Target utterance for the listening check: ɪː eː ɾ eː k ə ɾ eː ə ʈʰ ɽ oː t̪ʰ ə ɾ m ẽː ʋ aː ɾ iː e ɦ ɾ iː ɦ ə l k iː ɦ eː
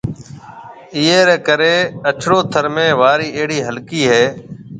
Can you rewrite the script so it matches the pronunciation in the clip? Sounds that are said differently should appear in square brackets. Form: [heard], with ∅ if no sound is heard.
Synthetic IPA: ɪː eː ɾ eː k ə ɾ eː ə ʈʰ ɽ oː t̪ʰ ə ɾ m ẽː ʋ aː ɾ iː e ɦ [ɽ] iː ɦ ə l k iː ɦ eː